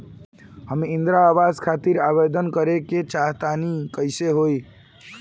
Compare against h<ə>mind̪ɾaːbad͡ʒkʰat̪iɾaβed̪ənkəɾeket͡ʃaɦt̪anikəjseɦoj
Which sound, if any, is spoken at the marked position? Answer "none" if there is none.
ə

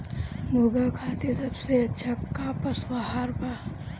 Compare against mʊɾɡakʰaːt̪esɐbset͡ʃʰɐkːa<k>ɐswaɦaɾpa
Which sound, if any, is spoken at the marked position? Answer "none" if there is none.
p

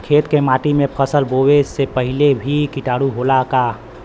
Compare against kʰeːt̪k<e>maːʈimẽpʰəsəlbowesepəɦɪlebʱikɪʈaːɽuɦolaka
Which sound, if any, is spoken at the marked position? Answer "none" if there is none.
e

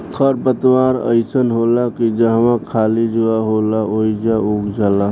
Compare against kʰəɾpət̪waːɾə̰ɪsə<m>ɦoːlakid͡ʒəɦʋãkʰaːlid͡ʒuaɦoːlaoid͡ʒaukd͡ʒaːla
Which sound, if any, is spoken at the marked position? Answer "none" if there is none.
n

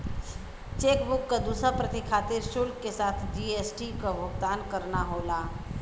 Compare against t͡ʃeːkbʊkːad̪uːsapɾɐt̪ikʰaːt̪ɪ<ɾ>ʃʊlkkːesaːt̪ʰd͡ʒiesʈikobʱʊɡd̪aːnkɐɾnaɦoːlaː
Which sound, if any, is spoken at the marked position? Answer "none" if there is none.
ɾ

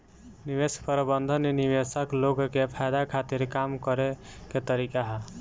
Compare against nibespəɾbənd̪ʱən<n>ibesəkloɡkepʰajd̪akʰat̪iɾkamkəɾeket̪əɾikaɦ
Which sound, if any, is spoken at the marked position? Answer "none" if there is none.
n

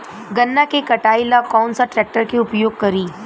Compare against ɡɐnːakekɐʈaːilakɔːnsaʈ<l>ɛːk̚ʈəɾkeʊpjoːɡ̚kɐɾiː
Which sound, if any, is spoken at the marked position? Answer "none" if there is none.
ɾ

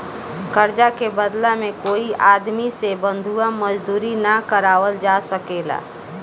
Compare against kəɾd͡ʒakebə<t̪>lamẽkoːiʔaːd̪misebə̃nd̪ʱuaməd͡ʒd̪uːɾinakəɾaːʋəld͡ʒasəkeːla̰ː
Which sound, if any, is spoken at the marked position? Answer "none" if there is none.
d̪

